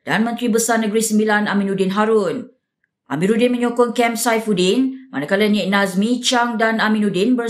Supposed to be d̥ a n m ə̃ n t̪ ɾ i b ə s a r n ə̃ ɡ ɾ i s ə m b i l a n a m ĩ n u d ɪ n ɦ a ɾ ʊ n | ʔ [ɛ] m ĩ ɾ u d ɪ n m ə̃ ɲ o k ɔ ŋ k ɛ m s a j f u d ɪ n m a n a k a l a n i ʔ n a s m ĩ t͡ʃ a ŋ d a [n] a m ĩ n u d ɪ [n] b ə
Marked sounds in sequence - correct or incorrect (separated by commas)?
incorrect, correct, correct